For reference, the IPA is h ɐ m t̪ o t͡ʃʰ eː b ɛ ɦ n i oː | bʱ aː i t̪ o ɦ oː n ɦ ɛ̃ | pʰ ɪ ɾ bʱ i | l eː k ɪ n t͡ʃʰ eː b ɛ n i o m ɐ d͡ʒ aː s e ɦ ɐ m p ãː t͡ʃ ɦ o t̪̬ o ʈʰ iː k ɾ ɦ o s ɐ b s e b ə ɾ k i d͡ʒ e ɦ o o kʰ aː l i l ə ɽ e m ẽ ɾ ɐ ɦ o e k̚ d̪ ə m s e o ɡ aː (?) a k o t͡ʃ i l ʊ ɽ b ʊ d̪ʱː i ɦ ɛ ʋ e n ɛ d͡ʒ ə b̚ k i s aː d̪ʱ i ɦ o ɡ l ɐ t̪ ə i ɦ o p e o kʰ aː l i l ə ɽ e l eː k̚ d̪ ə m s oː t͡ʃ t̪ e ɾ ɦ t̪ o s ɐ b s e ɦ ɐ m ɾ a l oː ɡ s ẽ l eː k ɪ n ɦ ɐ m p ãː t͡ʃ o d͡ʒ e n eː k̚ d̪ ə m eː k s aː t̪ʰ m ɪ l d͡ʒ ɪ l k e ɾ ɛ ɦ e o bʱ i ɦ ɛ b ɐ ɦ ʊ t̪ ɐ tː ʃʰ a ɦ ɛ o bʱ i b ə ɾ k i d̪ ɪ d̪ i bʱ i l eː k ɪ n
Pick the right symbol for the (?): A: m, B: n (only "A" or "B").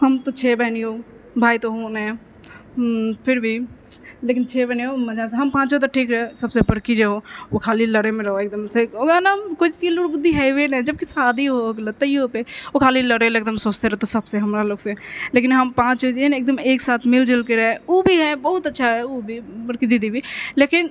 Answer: B